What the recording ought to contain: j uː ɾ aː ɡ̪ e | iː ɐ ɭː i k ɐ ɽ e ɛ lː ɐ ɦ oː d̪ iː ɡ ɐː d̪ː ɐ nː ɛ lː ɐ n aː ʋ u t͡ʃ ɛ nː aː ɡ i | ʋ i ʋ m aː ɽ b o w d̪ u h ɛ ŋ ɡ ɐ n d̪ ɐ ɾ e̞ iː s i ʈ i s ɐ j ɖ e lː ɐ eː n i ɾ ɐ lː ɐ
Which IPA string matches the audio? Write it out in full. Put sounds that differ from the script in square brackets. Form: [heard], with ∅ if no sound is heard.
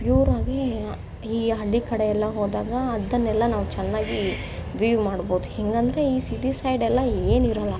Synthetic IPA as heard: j uː ɾ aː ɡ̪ e | iː ɐ ɭː i k ɐ ɽ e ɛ lː ɐ ɦ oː d̪ [aː] ɡ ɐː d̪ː ɐ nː ɛ lː ɐ n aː ʋ u t͡ʃ ɛ nː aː ɡ i | ʋ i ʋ m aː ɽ b o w d̪ u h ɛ ŋ ɡ ɐ n d̪ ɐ ɾ e̞ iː s i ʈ i s ɐ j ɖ [ɛ] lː ɐ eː n i ɾ ɐ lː ɐ